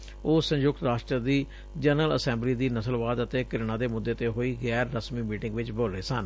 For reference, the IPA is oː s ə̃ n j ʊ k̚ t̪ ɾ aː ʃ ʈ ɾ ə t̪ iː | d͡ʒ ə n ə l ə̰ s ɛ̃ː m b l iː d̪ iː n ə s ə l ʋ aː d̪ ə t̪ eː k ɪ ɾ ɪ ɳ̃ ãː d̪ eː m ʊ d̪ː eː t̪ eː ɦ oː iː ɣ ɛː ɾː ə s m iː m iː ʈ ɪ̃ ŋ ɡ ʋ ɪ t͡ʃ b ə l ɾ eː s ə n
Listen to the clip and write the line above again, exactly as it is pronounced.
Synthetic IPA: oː s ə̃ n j ʊ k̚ t̪ ɾ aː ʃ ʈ ɾ ə d̪ iː | d͡ʒ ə n ə l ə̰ s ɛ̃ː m b l iː d̪ iː n ə s ə l ʋ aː d̪ ə t̪ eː k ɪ ɾ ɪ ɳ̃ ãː d̪ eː m ʊ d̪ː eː t̪ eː ɦ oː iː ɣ ɛː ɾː ə s m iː m iː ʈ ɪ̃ ŋ ɡ ʋ ɪ t͡ʃ b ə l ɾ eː s ə n